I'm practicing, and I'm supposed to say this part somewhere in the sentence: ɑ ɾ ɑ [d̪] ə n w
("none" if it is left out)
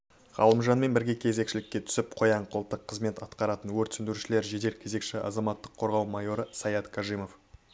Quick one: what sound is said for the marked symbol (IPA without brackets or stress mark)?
t̪